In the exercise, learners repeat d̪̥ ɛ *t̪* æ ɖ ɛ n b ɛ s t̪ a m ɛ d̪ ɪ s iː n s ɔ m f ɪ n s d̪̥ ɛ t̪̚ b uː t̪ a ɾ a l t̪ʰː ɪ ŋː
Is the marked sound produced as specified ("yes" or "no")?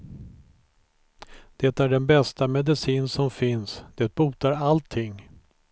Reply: yes